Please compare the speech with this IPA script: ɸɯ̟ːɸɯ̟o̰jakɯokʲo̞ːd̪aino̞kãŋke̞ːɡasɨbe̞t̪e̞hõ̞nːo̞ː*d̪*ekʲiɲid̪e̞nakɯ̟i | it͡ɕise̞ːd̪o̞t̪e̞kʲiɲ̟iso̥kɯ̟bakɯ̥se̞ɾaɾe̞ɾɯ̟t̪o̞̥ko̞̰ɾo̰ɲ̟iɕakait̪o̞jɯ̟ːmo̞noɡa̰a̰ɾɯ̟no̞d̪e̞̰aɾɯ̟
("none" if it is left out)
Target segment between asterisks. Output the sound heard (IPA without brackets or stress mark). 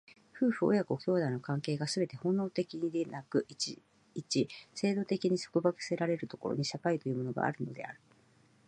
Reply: t̪